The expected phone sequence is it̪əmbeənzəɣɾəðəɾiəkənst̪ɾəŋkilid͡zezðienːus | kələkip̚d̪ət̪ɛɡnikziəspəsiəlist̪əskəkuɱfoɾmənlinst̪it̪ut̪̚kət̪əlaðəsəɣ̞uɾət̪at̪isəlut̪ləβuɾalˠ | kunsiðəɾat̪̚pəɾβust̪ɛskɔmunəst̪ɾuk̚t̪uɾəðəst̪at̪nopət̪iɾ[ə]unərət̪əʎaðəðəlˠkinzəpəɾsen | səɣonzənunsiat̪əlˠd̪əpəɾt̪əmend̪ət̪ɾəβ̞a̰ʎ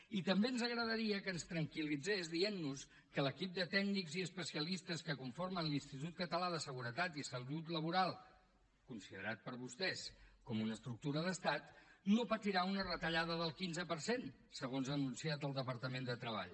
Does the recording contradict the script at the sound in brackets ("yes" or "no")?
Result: yes